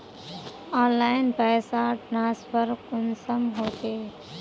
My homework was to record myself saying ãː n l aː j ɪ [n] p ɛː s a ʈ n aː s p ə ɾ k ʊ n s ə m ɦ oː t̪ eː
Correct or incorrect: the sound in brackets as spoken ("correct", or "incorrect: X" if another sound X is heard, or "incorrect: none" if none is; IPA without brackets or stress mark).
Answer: correct